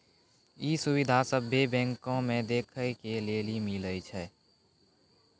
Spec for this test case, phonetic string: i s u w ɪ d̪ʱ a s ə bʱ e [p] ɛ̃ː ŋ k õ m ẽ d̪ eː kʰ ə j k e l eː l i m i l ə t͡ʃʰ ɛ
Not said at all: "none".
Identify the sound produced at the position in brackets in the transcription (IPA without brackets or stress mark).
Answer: b